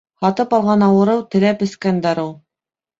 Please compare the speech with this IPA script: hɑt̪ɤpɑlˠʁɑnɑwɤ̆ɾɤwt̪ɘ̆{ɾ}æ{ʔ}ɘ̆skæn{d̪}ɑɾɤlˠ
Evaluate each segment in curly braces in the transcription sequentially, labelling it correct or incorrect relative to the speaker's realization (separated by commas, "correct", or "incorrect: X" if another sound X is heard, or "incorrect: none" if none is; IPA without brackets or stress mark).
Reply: incorrect: l, incorrect: p, correct